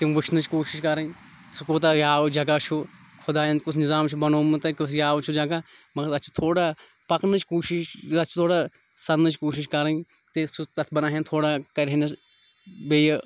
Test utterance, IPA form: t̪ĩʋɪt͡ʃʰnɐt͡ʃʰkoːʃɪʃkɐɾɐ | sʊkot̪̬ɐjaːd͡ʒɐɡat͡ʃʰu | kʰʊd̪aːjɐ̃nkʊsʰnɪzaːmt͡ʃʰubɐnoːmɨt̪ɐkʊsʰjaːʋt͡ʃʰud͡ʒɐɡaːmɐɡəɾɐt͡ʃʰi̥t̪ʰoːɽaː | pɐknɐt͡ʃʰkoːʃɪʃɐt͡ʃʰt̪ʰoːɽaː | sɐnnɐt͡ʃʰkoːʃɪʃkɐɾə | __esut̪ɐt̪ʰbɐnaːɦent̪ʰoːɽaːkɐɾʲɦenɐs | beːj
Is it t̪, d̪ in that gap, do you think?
t̪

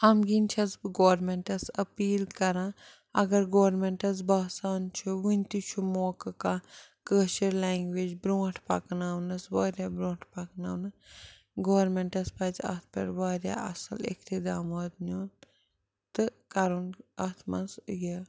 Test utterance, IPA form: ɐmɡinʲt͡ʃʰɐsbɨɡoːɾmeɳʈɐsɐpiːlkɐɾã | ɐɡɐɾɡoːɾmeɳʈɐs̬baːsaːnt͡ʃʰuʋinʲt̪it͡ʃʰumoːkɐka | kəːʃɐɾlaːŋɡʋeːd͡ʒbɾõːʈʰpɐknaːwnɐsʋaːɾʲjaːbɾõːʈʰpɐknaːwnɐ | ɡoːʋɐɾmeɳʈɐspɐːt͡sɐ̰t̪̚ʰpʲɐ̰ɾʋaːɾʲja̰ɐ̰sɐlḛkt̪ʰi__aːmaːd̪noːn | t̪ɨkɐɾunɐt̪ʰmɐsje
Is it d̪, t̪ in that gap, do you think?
d̪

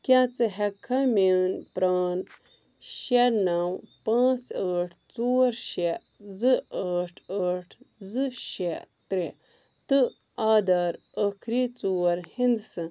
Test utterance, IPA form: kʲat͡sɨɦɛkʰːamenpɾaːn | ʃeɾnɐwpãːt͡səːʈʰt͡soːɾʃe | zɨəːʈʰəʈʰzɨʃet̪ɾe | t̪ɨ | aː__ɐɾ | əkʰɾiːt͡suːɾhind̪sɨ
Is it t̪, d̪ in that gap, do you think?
d̪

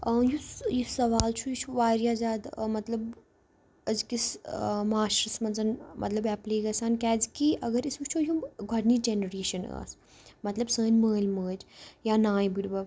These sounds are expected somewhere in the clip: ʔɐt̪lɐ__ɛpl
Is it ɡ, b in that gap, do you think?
b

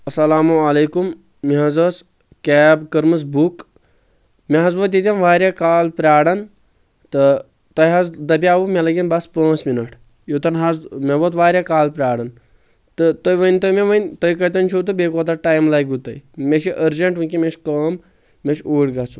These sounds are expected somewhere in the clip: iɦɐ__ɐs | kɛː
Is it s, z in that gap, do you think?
z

